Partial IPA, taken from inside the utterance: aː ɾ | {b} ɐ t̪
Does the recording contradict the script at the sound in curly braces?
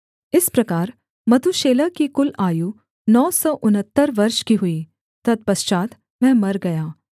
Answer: yes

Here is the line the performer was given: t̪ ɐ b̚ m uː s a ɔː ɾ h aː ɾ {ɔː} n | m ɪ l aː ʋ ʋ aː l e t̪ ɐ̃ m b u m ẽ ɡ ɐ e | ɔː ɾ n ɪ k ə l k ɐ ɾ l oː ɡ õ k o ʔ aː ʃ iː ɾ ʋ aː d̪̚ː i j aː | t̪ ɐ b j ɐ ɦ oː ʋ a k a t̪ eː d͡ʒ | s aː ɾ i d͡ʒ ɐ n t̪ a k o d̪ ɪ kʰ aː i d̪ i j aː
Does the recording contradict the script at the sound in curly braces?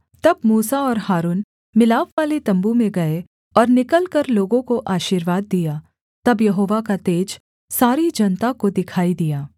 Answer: yes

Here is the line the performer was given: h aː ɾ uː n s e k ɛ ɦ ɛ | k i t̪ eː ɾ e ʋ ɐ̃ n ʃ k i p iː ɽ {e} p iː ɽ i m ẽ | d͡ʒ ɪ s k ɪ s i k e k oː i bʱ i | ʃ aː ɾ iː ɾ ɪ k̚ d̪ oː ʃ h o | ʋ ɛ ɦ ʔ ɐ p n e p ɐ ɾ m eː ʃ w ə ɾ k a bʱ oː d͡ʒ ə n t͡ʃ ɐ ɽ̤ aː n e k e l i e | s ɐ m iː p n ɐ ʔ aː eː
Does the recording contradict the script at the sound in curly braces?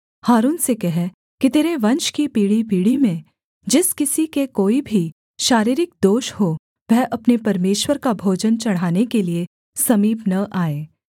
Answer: yes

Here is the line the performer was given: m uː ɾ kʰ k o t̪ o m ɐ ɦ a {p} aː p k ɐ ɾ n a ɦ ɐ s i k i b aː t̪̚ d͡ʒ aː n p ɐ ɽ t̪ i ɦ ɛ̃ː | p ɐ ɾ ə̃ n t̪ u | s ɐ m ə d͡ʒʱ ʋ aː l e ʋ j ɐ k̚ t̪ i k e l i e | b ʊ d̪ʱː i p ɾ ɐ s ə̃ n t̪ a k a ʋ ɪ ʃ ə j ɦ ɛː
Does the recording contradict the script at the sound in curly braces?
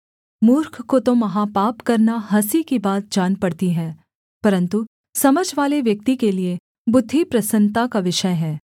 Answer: no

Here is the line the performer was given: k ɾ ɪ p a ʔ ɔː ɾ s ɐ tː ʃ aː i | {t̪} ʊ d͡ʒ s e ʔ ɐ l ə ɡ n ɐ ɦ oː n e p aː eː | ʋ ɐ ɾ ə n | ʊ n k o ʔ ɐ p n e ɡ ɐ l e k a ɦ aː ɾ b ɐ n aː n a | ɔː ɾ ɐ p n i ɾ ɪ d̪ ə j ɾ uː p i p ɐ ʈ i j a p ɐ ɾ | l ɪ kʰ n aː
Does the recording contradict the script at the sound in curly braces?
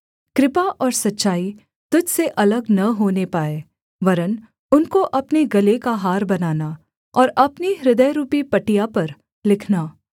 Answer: no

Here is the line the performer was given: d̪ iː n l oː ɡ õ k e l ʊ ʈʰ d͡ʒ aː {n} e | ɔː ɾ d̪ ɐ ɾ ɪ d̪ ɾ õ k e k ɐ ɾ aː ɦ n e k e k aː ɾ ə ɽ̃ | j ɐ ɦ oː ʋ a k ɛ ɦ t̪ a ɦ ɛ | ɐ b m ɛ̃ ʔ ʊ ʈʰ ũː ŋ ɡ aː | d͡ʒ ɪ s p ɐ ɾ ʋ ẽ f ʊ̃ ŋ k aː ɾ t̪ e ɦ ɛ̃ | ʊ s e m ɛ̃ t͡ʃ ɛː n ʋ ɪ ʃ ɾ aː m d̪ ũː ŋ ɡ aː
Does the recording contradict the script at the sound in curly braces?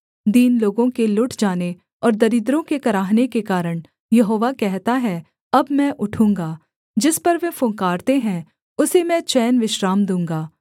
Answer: no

